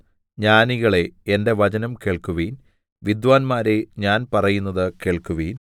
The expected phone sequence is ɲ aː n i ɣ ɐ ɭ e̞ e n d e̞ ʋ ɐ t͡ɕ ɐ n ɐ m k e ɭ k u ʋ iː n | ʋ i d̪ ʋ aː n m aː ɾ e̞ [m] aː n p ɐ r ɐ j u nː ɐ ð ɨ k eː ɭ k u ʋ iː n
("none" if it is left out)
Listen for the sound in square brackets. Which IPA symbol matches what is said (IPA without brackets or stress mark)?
ɲ